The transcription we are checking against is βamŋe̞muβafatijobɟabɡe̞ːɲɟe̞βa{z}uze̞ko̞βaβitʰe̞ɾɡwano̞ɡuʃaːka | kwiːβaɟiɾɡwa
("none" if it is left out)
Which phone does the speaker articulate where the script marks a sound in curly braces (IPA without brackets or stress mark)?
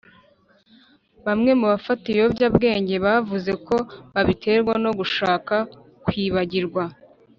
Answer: v